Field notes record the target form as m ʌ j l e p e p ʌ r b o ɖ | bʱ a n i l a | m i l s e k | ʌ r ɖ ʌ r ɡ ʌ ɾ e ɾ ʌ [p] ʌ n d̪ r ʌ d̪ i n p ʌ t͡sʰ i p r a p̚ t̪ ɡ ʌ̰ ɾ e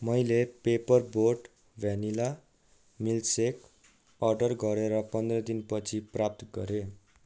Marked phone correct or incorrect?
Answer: correct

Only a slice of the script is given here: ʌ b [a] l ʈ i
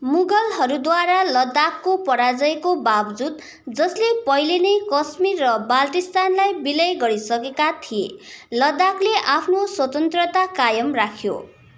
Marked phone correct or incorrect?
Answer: correct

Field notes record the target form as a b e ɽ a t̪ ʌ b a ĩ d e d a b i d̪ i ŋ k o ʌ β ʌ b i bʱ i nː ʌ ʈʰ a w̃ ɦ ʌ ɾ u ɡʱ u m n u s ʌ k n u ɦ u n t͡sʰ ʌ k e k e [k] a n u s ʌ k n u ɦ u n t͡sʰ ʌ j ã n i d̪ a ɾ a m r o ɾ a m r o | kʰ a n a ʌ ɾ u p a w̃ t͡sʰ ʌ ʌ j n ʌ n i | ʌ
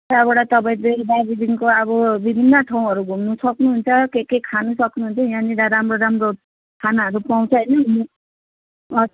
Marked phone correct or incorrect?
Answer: incorrect: kʰ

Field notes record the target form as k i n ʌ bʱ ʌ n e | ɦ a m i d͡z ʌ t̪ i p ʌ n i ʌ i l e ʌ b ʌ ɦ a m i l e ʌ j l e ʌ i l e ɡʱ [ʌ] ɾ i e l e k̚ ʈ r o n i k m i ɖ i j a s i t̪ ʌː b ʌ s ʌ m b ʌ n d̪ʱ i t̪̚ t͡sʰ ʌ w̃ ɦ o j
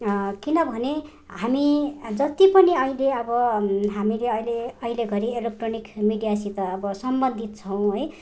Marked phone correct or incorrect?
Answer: correct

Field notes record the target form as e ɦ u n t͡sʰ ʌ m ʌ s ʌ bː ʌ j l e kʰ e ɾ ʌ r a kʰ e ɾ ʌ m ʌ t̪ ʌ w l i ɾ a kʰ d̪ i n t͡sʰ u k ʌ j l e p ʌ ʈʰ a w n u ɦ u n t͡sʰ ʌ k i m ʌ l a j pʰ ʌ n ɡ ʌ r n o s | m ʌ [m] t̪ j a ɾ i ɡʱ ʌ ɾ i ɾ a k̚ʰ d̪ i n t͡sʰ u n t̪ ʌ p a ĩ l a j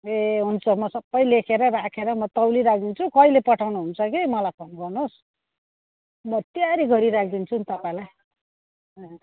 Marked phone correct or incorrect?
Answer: incorrect: none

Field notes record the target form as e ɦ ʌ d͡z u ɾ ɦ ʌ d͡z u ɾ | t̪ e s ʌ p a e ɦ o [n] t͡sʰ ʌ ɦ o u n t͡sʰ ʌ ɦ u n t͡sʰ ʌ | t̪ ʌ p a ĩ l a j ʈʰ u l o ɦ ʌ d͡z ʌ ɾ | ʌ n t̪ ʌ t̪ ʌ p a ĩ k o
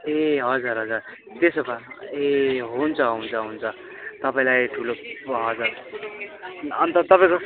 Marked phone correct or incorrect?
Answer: correct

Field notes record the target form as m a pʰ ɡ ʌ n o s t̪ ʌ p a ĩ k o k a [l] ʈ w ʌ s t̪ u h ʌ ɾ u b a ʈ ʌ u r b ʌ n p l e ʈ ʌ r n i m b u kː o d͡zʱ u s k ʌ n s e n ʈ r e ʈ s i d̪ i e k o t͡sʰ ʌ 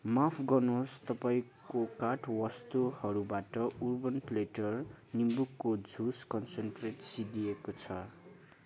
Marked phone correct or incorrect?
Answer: incorrect: none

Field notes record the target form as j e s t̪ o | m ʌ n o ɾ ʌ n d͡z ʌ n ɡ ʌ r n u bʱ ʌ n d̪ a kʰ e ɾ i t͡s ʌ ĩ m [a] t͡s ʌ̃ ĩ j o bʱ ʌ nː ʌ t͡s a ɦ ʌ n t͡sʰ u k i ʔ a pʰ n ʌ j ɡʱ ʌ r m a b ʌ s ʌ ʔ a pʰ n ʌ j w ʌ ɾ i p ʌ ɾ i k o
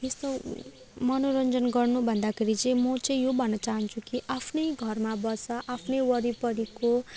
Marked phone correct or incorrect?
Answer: incorrect: ʌ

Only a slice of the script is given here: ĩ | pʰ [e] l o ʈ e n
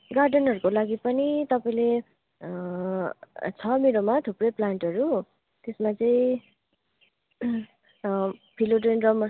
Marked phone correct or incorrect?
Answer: incorrect: i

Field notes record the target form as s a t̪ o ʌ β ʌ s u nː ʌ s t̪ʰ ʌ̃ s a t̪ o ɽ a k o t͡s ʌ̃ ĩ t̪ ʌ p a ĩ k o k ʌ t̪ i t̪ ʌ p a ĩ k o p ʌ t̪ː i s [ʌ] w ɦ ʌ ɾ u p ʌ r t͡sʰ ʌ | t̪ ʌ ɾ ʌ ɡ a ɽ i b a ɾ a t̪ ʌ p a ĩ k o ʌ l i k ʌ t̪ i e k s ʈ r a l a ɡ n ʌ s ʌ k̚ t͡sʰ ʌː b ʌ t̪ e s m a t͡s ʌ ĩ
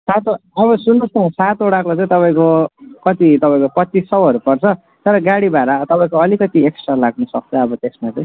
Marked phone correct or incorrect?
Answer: correct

